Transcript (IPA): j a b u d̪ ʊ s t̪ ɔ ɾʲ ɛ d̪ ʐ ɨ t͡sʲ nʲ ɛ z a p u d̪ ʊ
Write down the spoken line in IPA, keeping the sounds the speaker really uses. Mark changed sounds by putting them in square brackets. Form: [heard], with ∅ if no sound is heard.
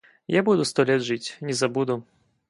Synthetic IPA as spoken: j a b u d̪ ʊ s t̪ ɔ [lʲ] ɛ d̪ ʐ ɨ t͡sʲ nʲ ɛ z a [b] u d̪ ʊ